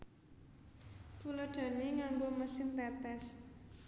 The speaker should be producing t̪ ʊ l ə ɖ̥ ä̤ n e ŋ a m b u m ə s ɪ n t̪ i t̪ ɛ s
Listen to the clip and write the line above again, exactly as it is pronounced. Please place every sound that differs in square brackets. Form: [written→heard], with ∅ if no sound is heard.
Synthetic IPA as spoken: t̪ [ʊ→u] l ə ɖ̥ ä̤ n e ŋ a m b [u→o] m ə s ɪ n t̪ [i→ɛ] t̪ ɛ s